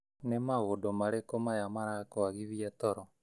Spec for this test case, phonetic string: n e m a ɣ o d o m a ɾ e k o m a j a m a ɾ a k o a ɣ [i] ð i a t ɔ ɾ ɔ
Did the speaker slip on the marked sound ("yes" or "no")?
no